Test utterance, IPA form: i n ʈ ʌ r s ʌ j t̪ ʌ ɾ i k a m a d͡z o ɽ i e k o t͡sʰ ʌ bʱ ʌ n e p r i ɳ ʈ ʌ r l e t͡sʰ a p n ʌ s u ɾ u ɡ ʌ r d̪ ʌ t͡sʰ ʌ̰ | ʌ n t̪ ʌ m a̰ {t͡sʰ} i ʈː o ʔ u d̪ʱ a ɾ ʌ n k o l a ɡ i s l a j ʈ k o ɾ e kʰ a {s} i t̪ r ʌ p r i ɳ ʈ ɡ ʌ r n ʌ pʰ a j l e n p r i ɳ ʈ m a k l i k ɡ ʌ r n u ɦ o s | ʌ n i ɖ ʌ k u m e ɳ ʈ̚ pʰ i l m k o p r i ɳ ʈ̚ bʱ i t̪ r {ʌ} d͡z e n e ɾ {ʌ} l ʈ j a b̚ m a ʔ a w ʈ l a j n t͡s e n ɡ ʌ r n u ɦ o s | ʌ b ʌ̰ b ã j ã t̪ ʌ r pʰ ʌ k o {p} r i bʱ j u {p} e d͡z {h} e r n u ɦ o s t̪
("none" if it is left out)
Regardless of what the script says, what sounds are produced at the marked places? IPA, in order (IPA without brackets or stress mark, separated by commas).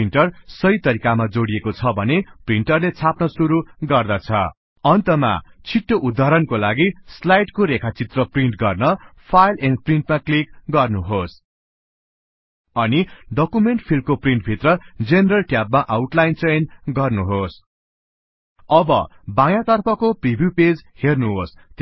t͡sʰ, t͡s, ʌ, ʌ, p, p, h